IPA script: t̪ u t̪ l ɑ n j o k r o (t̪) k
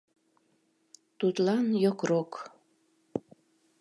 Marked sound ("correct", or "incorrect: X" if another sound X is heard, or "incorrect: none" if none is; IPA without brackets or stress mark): incorrect: none